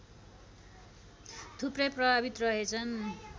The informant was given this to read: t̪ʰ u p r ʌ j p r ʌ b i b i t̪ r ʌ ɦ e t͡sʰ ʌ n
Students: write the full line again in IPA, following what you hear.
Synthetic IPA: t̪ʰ u p r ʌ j p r ʌ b a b i t̪ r ʌ ɦ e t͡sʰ ʌ n